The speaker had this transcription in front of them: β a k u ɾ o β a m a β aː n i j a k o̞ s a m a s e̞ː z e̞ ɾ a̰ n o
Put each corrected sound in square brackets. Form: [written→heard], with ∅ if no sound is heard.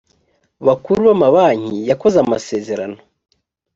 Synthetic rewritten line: β a k u ɾ [o→u] β a m a β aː [n→ɲ] i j a k o̞ [s→z] a m a s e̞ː z e̞ ɾ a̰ n o